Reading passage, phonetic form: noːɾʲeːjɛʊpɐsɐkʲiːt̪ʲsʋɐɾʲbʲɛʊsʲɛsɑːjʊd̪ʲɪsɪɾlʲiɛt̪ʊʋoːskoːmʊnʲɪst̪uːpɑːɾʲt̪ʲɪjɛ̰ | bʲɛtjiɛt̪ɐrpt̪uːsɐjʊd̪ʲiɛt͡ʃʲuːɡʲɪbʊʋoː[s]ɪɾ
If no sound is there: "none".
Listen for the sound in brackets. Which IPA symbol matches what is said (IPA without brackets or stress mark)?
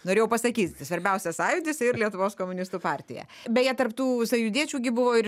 none